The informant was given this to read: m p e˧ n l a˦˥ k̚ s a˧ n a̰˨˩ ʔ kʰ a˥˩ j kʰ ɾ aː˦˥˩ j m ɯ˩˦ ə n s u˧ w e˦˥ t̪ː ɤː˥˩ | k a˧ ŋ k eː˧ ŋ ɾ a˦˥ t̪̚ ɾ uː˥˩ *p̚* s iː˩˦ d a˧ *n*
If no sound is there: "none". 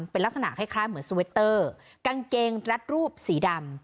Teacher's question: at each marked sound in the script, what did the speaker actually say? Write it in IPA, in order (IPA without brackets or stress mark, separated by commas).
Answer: p̚, m